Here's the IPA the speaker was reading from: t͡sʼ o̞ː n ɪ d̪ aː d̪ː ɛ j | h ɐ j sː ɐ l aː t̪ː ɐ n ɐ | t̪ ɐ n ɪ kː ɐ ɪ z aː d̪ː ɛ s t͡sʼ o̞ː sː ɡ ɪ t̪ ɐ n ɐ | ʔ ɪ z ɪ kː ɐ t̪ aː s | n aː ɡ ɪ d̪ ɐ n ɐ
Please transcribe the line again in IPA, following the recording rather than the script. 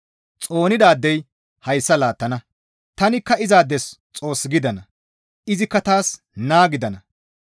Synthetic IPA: t͡sʼ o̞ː n ɪ d̪ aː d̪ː ɛ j | h ɐ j sː ɐ l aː t̪ː ɐ n ɐ | t̪ ɐ n ɪ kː ɐ ɪ z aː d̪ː ɛ s t͡sʼ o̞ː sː ɡ ɪ d̪ ɐ n ɐ | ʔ ɪ z ɪ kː ɐ t̪ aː s | n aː ɡ ɪ d̪ ɐ n ɐ